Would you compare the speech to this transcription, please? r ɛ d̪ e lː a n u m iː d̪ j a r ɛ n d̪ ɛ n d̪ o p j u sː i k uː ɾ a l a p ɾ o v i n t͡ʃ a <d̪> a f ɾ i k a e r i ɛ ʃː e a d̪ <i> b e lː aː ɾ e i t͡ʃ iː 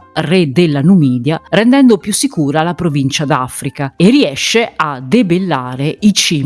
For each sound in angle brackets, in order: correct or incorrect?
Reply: correct, incorrect: e

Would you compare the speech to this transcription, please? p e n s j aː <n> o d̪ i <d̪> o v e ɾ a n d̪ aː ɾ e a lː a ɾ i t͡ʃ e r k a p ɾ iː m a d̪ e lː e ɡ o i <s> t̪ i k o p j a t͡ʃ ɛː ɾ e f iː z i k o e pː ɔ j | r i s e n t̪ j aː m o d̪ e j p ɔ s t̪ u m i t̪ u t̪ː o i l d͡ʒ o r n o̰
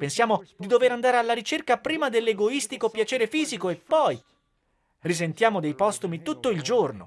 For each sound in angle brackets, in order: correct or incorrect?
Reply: incorrect: m, correct, correct

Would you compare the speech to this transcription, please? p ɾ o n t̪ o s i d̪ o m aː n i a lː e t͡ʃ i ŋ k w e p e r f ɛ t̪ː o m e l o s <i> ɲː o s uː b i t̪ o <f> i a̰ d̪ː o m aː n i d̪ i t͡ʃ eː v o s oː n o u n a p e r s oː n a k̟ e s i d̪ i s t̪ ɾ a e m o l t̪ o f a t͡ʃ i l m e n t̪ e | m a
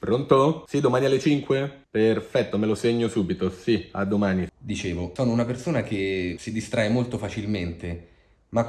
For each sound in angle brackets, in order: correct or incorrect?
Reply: incorrect: e, incorrect: s

